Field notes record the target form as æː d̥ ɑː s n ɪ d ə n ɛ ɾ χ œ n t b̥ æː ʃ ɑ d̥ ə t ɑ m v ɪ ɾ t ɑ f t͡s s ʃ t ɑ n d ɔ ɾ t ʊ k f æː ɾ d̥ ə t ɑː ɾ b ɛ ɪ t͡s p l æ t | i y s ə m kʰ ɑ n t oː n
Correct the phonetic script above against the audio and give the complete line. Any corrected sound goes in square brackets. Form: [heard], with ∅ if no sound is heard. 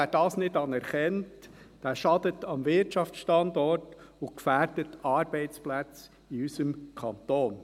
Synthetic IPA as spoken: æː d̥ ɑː s n ɪ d [ɑ] n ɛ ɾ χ [ɛ] n t [d̥] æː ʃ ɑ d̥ ə t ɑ m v ɪ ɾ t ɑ f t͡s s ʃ t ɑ n d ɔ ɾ t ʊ k f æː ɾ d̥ ə t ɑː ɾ b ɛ ɪ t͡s p l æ [t͡s] | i y s ə m kʰ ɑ n t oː n